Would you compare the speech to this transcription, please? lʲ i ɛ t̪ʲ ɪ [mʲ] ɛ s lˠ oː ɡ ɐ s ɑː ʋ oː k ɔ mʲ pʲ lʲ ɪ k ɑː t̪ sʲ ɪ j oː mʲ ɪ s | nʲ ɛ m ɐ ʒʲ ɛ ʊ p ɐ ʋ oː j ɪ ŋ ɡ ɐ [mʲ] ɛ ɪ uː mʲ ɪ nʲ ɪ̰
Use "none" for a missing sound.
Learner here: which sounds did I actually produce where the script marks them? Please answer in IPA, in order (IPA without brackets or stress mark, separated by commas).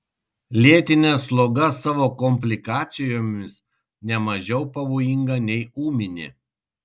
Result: nʲ, nʲ